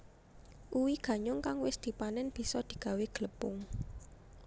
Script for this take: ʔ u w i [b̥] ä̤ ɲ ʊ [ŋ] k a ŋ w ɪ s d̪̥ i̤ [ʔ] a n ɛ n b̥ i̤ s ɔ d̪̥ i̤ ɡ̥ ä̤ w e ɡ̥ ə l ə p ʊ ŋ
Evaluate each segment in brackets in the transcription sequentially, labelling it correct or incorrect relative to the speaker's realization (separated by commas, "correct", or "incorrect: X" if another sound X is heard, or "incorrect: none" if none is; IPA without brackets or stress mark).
incorrect: ɡ̥, correct, incorrect: p